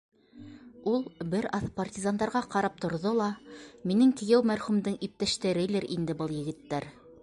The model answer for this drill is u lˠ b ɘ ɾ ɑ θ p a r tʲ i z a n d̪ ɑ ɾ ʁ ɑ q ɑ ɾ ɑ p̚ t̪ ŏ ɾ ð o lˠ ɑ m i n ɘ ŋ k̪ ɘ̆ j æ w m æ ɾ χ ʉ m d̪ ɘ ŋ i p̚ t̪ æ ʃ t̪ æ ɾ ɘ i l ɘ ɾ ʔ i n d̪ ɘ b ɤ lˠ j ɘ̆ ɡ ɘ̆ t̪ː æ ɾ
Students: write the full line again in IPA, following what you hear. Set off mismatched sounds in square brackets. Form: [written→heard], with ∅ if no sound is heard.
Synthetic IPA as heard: u lˠ b ɘ ɾ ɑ θ p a r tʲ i z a n d̪ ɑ ɾ ʁ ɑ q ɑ ɾ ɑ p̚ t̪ ŏ ɾ ð o lˠ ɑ m i n ɘ ŋ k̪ ɘ̆ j æ w m æ ɾ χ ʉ m d̪ ɘ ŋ i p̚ t̪ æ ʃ t̪ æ ɾ ɘ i l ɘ ɾ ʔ i n d̪ ɘ b ɤ lˠ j ɘ̆ ɡ ɘ̆ t̪ː æ ɾ